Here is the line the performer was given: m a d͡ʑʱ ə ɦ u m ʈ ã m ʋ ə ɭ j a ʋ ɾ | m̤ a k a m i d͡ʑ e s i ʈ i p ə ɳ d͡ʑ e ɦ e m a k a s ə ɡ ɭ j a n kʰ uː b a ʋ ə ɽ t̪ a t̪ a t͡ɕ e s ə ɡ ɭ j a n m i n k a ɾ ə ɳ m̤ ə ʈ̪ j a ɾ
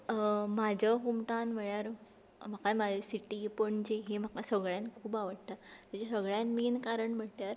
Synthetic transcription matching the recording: m a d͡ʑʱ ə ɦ u m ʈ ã n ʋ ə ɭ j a ɾ | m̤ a k a m a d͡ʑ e s i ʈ i p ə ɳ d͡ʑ e ɦ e m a k a s ə ɡ ɭ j a n kʰ uː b a ʋ ə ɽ t̪ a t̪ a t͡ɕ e s ə ɡ ɭ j a n m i n k a ɾ ə ɳ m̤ ə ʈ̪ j a ɾ